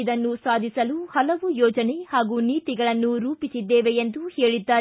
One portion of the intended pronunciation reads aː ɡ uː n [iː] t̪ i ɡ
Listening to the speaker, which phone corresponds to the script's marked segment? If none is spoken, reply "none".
iː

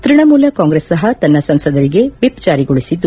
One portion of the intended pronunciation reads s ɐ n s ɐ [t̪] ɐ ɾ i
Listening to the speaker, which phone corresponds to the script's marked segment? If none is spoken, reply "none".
d̪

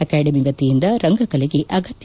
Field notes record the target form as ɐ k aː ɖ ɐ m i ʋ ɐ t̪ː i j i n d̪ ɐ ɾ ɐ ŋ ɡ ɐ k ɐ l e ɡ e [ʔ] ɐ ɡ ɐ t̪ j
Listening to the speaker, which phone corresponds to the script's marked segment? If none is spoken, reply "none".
ʔ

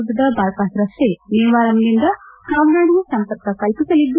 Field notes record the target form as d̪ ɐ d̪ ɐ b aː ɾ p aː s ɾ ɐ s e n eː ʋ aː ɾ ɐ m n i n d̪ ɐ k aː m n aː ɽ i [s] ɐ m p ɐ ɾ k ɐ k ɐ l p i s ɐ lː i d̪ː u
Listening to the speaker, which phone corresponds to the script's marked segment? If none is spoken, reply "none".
s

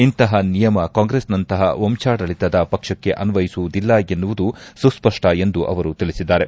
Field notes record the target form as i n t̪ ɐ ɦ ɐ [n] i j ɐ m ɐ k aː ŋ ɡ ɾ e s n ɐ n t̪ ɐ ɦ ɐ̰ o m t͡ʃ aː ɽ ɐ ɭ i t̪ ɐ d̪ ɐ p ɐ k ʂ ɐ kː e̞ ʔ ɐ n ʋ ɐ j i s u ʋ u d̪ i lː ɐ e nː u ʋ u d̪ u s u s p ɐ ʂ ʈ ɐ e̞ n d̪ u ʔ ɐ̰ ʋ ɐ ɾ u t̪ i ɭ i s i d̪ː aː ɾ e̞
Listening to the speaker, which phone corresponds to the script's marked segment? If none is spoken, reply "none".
n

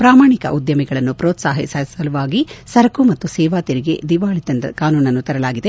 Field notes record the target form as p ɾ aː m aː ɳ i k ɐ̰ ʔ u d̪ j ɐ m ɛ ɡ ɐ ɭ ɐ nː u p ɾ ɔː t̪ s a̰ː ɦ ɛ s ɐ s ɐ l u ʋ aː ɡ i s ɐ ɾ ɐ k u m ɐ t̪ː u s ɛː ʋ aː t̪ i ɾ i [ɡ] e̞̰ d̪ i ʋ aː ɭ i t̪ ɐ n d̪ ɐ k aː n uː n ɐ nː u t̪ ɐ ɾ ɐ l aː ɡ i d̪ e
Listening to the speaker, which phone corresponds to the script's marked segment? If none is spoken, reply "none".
ɡ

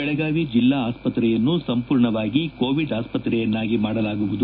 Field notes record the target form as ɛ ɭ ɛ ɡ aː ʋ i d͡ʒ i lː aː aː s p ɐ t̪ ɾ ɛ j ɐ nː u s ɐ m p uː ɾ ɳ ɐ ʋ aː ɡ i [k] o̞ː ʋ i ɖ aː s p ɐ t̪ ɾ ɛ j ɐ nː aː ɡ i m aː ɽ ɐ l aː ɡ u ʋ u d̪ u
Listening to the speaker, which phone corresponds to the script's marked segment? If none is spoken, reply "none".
k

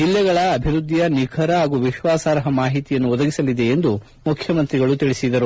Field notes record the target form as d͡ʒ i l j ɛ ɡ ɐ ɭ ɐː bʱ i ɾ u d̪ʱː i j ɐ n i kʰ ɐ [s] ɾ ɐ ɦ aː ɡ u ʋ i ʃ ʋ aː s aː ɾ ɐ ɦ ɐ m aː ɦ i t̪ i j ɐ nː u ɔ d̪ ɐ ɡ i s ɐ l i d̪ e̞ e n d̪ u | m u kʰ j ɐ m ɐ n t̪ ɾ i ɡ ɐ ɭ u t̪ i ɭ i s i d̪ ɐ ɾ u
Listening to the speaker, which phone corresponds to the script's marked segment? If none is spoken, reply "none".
none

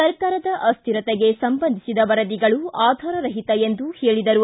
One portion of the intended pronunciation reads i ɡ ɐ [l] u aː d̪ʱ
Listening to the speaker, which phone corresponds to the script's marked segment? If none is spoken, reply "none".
ɭ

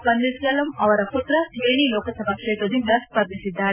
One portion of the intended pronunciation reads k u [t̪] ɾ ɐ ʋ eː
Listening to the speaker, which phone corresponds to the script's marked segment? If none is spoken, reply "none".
t̪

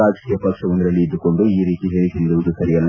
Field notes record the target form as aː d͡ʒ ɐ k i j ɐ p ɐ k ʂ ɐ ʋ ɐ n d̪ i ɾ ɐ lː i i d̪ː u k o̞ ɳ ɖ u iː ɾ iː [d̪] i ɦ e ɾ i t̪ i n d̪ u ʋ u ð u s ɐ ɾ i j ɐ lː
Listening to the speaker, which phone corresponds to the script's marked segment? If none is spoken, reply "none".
t̪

